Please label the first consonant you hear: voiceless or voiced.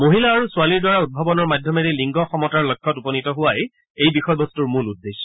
voiced